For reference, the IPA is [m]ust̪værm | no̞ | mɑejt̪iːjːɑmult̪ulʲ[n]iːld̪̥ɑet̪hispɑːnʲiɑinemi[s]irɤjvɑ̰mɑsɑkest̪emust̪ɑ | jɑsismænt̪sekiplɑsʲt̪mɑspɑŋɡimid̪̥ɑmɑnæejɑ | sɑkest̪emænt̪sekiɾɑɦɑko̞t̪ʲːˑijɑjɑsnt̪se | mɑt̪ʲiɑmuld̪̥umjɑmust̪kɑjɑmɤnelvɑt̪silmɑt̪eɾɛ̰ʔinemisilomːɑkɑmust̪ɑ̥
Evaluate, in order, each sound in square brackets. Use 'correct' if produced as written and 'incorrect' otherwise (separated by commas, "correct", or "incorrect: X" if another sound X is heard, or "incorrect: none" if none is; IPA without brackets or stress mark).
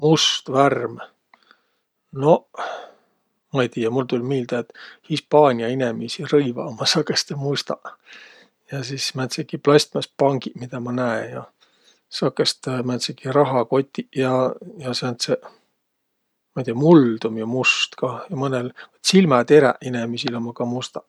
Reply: correct, incorrect: m, correct